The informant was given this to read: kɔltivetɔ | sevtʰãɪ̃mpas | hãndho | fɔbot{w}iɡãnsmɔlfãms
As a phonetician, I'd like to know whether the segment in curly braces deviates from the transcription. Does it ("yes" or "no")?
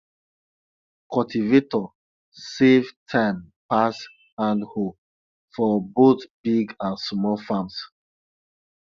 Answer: yes